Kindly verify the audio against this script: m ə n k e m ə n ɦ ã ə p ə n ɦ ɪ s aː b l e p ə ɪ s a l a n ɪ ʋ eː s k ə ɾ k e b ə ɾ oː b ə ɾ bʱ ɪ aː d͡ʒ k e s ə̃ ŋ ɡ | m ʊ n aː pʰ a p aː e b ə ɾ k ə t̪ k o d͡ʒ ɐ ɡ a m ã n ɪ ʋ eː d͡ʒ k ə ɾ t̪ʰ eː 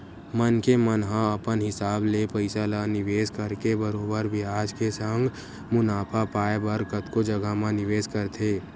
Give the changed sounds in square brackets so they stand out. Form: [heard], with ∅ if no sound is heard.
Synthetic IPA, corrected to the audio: m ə n k e m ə n ɦ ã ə p ə n ɦ ɪ s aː b l e p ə ɪ s a l a n ɪ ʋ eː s k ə ɾ k e b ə ɾ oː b ə ɾ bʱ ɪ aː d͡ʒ k e s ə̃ ŋ ɡ | m ʊ n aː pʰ a p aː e b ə ɾ k ə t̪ k o d͡ʒ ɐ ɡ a m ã n ɪ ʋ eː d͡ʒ k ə ɾ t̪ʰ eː

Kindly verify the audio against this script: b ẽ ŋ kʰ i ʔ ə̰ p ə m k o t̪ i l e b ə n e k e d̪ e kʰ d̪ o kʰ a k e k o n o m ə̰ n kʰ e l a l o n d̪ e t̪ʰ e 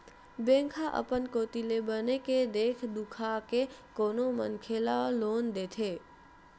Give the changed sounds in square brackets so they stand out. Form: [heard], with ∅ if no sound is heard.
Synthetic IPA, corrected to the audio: b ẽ ŋ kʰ [a] ʔ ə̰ p ə [n] k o t̪ i l e b ə n e k e d̪ e kʰ d̪ [u] kʰ a k e k o n o m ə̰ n kʰ e l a l o n d̪ e t̪ʰ e

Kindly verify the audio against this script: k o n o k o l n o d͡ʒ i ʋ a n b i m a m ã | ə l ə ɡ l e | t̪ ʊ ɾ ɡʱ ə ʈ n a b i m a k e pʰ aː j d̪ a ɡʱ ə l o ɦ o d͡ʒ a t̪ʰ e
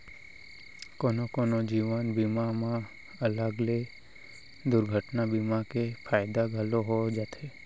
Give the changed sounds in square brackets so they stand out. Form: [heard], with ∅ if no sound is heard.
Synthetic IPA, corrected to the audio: k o n o k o [∅] n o d͡ʒ i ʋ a n b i m a m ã | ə l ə ɡ l e | [d̪] ʊ ɾ ɡʱ ə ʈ n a b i m a k e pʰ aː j d̪ a ɡʱ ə l o ɦ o d͡ʒ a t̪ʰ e

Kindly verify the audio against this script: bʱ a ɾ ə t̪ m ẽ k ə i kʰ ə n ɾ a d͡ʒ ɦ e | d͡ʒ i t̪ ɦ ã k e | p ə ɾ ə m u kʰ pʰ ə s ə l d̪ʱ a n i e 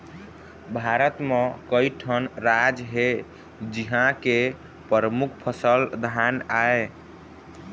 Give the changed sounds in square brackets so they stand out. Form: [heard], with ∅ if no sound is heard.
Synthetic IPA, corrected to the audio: bʱ a ɾ ə t̪ m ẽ k ə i [ʈʰ] ə n ɾ a d͡ʒ ɦ e | d͡ʒ i [∅] ɦ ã k e | p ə ɾ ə m u kʰ pʰ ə s ə l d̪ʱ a n [a] e

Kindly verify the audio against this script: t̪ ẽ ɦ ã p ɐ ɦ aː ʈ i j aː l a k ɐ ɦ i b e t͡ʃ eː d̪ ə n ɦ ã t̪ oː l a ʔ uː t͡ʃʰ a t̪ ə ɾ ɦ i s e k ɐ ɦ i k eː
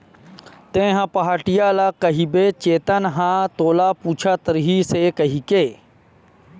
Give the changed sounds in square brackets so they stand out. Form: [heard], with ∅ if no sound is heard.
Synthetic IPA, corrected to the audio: t̪ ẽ ɦ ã p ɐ ɦ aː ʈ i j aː l a k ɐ ɦ i b e t͡ʃ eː [t̪] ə n ɦ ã t̪ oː l a [p] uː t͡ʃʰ a t̪ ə ɾ ɦ i s e k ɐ ɦ i k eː

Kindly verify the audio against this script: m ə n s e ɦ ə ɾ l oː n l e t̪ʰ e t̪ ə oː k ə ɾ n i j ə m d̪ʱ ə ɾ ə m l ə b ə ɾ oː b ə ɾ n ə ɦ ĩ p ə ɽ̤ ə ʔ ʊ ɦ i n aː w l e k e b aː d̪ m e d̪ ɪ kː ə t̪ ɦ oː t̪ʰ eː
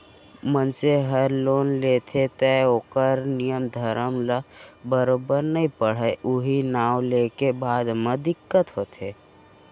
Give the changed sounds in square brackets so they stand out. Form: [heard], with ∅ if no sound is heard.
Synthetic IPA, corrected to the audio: m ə n s e ɦ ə ɾ l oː n l e t̪ʰ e t̪ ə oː k ə ɾ n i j ə m d̪ʱ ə ɾ ə m l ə b ə ɾ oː b ə ɾ n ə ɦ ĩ p ə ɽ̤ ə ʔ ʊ ɦ i n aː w l e k e b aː d̪ m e d̪ ɪ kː ə t̪ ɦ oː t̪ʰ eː

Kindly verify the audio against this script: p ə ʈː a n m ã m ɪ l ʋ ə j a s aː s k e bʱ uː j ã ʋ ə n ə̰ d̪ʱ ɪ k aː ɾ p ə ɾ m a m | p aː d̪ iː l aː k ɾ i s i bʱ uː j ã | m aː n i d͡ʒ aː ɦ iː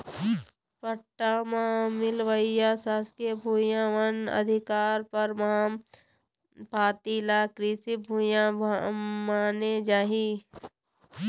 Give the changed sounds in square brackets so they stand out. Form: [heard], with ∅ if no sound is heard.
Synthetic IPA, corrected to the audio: p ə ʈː a [∅] m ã m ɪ l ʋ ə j a s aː s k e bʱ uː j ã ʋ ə n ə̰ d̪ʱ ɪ k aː ɾ p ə ɾ m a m | p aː [t̪] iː l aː k ɾ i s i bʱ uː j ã | m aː n [e] d͡ʒ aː ɦ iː

